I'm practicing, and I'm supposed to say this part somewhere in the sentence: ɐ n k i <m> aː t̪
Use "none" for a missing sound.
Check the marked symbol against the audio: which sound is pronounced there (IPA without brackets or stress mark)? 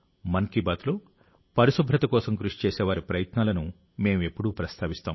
b